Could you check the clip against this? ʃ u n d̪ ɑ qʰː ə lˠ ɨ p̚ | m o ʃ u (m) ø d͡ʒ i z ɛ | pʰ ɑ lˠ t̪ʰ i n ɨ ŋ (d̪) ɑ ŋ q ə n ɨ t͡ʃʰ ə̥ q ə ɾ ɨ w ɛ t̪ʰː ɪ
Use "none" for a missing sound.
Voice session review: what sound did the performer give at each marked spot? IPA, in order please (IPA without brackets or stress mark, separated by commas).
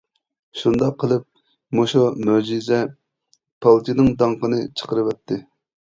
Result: m, d̪